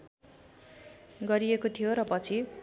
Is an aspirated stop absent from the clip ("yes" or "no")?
no